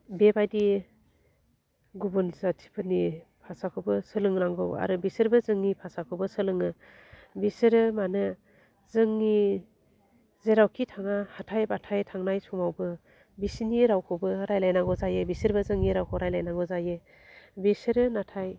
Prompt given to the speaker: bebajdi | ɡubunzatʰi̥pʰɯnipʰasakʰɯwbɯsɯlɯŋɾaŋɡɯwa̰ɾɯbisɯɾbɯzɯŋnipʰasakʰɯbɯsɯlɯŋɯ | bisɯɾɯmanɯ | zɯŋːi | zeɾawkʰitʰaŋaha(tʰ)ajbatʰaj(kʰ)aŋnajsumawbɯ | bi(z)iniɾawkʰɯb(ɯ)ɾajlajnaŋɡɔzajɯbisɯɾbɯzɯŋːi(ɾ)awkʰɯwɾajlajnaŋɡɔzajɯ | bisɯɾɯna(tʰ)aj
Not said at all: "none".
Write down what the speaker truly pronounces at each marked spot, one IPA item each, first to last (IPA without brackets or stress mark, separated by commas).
tʰ, tʰ, s, ɯ, ɾ, tʰ